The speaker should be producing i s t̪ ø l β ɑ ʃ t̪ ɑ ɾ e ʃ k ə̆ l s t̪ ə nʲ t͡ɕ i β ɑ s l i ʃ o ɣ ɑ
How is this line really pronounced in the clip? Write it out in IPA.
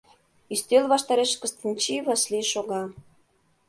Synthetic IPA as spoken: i s t̪ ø l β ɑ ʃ t̪ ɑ ɾ e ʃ k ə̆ s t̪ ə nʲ t͡ɕ i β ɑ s l i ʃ o ɣ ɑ